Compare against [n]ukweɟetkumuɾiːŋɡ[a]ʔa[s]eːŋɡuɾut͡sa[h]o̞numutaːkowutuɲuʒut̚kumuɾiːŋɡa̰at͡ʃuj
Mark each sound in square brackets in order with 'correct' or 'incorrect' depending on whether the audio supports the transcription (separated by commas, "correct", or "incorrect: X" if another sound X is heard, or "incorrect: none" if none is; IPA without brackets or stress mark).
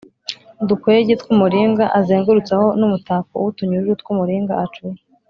incorrect: d, correct, incorrect: z, correct